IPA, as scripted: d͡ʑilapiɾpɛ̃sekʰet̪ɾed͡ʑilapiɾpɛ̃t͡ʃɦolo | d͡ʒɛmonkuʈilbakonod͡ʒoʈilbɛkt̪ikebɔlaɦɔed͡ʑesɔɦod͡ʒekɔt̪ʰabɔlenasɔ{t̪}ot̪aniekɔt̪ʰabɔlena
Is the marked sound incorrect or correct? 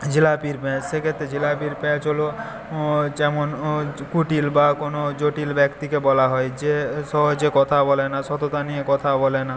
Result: correct